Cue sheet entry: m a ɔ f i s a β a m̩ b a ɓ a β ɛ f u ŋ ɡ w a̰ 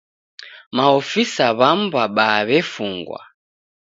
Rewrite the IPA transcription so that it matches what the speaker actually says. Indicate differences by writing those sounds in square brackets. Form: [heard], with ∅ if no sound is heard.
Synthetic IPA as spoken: m a ɔ f i s a β a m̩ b a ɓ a β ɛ f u ŋ ɡ w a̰